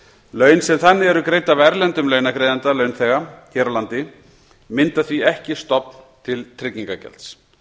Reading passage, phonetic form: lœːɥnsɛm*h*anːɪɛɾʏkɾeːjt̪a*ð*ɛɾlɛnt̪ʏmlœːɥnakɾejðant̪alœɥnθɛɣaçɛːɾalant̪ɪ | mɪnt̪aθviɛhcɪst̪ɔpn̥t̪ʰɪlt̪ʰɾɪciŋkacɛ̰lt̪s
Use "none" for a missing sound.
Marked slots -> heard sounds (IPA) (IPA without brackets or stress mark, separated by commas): θ, v